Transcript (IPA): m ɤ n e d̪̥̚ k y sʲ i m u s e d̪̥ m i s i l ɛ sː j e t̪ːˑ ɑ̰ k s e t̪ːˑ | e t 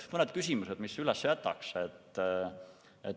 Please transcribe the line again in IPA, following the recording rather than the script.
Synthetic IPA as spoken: m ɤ n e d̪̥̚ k y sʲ i m u s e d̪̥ m i s y l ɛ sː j æ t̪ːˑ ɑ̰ k s e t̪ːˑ | e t